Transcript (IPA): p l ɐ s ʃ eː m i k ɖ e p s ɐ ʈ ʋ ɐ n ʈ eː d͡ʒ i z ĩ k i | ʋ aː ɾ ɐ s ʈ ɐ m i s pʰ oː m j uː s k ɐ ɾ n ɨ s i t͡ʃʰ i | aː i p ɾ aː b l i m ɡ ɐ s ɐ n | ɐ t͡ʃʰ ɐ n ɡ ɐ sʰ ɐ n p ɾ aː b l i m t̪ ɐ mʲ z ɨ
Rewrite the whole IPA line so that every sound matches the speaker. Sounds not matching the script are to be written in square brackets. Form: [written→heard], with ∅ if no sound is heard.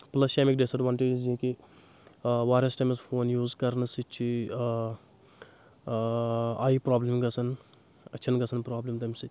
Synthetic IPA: p l ɐ s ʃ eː m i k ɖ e [p→∅] s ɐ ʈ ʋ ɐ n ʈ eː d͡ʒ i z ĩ k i | ʋ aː ɾ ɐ s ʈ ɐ m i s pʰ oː [m→n] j uː [s→z] k ɐ ɾ n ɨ s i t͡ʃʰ i | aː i p ɾ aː b l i m ɡ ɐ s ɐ n | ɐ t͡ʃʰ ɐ n ɡ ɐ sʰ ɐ n p ɾ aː b l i m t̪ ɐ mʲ [z→s] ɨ

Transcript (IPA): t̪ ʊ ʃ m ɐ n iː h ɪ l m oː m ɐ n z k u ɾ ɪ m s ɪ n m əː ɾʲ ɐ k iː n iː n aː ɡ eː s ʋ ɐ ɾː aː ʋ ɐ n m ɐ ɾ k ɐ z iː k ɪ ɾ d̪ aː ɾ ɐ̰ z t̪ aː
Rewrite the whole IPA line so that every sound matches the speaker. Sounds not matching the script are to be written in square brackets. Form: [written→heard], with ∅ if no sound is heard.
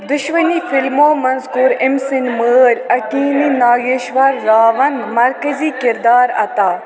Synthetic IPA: [t̪→d̪] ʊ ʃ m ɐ n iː [h→f] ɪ l m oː m ɐ n z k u ɾ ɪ m s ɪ n m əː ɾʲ ɐ k iː n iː n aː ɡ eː [s→ʃ] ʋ ɐ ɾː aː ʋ ɐ n m ɐ ɾ k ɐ z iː k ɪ ɾ d̪ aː ɾ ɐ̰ [z→∅] t̪ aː

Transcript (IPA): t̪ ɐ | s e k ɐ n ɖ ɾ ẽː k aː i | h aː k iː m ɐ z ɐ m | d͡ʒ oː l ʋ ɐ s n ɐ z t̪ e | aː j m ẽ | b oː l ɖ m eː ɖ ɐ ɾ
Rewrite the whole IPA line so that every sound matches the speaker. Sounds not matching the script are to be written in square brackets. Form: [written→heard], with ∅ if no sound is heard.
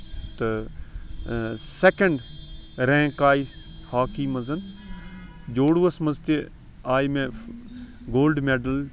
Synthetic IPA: t̪ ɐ | s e k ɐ [n→ɳ] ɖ ɾ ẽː k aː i | h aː k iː m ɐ z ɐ [m→n] | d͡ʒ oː [l→ɽ] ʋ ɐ s [n→m] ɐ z t̪ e | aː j m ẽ | [b→ɡ] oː l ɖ m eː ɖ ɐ [ɾ→l]

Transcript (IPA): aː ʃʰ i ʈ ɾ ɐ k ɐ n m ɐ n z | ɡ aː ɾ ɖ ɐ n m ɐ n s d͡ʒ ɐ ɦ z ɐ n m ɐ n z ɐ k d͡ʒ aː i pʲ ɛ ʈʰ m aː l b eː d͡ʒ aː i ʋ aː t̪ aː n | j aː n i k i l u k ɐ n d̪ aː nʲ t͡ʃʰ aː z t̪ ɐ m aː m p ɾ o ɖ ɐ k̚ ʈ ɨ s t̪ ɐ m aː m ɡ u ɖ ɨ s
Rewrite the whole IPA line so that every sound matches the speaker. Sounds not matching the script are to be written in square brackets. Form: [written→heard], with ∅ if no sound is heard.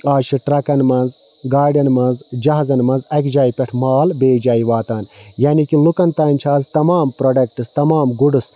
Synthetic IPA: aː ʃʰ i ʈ ɾ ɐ k ɐ n m ɐ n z | ɡ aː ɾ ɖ ɐ n m ɐ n [s→z] d͡ʒ ɐ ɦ z ɐ n m ɐ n z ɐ k d͡ʒ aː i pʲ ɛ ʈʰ m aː l b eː d͡ʒ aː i ʋ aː t̪ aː n | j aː n i k i l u k ɐ n [d̪→t̪] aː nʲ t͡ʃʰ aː z t̪ ɐ m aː m p ɾ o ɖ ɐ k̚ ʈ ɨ s t̪ ɐ m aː m ɡ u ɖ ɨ s

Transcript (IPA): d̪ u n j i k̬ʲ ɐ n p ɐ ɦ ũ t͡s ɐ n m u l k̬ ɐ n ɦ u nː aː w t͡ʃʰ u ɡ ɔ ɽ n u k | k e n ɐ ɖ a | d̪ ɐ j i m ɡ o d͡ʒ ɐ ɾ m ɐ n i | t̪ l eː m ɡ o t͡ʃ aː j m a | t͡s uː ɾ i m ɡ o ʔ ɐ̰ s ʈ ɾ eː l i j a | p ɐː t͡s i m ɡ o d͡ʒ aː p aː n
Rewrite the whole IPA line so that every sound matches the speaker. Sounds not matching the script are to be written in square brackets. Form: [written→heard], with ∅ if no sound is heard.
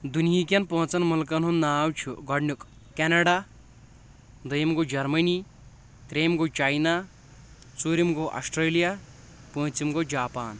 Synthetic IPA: d̪ u n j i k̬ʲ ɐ n p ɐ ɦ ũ t͡s ɐ n m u l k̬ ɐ n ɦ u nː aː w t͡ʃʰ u ɡ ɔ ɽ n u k | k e n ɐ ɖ a | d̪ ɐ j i m ɡ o d͡ʒ ɐ ɾ m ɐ n i | t̪ [l→ɾ] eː m ɡ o t͡ʃ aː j [m→n] a | t͡s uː ɾ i m ɡ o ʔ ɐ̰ s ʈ ɾ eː l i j a | p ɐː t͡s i m ɡ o d͡ʒ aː p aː n

